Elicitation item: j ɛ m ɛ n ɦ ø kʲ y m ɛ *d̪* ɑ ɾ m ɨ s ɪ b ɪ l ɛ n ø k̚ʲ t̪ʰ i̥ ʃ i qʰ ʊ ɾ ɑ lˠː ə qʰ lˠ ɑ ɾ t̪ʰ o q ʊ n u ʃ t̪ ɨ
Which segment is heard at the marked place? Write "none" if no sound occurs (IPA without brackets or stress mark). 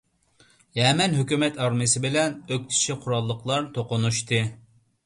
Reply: t̪